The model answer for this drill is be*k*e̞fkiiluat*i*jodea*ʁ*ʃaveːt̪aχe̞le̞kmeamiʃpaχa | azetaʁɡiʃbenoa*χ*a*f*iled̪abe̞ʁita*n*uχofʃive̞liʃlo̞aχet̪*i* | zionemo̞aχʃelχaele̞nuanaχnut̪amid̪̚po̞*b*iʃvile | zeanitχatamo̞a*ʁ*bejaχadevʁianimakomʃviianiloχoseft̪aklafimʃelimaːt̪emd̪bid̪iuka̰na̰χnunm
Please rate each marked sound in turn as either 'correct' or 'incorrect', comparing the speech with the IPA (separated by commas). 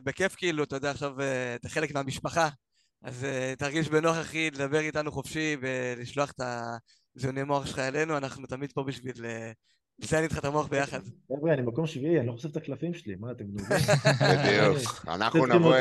correct, incorrect, incorrect, correct, incorrect, correct, incorrect, correct, incorrect